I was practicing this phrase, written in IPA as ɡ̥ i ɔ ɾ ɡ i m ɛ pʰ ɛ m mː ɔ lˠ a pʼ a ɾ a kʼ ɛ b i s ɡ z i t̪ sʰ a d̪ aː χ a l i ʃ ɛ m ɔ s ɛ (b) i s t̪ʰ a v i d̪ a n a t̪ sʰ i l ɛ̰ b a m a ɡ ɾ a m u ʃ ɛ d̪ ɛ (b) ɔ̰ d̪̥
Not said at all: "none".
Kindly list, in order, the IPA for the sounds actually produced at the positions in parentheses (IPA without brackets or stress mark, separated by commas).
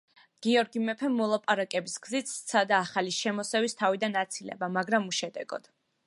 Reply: v, ɡ